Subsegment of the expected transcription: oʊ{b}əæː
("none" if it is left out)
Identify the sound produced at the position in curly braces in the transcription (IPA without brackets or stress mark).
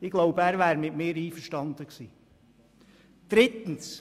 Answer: b